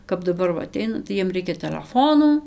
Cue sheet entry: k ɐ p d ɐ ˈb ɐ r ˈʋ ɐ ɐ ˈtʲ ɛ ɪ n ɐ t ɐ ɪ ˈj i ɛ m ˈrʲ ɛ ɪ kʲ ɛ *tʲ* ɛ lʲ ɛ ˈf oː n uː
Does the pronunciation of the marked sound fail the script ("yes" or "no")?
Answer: no